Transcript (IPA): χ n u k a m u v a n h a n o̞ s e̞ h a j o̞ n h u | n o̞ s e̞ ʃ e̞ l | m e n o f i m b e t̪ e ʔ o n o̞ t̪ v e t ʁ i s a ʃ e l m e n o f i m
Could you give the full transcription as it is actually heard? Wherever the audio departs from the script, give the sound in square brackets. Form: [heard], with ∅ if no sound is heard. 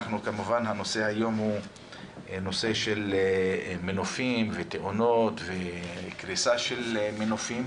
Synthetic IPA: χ n u k a m u v a n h a n o̞ s e̞ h a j o̞ [m] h u | n o̞ s e̞ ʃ e̞ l | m e n o f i m [v] e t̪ e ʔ o n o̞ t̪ v e [k] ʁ i s a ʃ e l m e n o f i m